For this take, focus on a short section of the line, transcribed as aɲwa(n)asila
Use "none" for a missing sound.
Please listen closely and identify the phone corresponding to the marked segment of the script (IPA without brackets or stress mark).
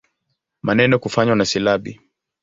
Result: n